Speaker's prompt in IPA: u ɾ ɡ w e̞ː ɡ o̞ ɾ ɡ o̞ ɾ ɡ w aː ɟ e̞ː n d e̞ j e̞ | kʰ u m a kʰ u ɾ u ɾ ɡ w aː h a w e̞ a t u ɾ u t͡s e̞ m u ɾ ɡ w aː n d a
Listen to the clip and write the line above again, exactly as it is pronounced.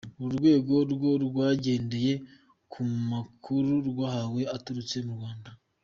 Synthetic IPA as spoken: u ɾ ɡ w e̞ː ɡ o̞ ɾ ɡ o̞ ɾ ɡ w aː ɟ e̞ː n d e̞ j e̞ | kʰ u m a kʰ u ɾ u ɾ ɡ w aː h a w e̞ a t u ɾ u t͡s e̞ m u ɾ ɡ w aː n d a